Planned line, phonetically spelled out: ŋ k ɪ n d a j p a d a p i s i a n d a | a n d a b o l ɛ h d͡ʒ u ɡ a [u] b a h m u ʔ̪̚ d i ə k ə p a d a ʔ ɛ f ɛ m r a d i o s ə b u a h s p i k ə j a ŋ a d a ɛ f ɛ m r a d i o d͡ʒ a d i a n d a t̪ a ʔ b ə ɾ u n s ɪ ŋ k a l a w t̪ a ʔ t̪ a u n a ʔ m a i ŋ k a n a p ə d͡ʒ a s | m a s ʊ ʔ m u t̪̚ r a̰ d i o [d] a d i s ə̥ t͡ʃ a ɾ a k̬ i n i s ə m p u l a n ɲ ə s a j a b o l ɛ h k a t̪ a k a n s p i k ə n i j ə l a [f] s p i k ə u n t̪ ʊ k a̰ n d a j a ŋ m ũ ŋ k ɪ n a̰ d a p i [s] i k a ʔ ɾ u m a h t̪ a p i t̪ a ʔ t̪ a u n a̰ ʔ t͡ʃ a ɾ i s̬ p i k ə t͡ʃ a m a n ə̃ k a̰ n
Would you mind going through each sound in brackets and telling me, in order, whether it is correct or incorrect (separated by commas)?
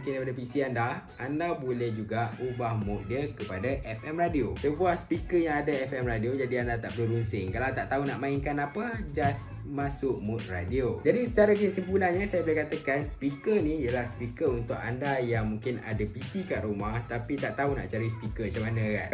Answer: correct, incorrect, incorrect, correct